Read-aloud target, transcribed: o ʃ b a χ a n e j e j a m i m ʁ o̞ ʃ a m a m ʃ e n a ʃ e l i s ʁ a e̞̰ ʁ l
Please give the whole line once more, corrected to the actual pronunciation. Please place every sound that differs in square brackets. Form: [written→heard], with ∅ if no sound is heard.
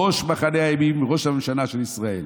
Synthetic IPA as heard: o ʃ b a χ a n e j [e→a] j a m i m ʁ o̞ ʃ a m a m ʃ [e→a] n a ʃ e l i s ʁ a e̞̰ [ʁ→∅] l